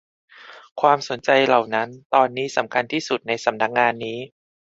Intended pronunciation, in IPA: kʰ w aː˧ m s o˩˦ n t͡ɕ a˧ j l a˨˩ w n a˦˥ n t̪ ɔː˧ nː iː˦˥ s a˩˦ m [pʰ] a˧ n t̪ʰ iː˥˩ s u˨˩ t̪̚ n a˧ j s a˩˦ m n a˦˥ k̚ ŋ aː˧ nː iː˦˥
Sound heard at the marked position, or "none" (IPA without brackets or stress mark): kʰ